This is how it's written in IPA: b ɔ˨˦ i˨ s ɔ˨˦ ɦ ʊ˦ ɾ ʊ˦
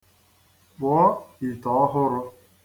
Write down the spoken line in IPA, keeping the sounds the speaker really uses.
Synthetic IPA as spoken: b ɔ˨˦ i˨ t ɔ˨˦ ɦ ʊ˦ ɾ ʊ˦